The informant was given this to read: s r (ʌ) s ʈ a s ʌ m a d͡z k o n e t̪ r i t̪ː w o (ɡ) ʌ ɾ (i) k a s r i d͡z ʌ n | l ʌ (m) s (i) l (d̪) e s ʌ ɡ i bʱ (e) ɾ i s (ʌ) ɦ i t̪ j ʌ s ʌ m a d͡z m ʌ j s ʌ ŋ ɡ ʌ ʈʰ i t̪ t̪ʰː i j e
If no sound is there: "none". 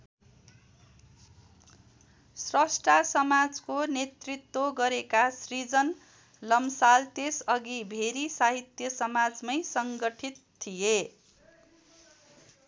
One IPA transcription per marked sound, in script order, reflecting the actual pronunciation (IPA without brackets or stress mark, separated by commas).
ʌ, ɡ, e, m, a, t̪, e, a